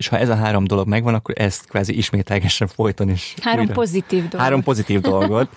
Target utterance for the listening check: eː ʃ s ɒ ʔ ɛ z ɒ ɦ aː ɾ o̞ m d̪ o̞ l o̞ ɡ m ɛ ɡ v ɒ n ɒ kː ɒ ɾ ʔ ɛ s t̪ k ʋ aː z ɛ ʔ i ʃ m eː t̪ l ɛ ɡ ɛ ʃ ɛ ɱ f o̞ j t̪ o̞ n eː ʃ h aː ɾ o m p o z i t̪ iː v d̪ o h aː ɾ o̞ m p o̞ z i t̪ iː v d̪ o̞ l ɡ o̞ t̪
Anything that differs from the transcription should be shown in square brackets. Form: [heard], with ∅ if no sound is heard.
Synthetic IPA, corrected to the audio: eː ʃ [h] ɒ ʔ ɛ z ɒ ɦ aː ɾ o̞ m d̪ o̞ l o̞ ɡ m ɛ ɡ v ɒ n ɒ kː [o] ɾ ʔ ɛ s t̪ k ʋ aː z [i] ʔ i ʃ m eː t̪ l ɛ ɡ ɛ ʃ ɛ ɱ f o̞ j t̪ o̞ n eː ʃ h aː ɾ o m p o z i t̪ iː v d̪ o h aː ɾ o̞ m p o̞ z i t̪ iː v d̪ o̞ l ɡ o̞ t̪